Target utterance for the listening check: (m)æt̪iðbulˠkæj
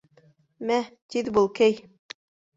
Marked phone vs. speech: correct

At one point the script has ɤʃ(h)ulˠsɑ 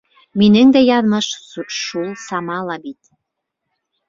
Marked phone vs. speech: incorrect: ʃ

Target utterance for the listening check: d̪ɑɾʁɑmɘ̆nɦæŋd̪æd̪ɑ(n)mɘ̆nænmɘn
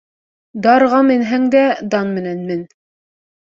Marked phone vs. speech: correct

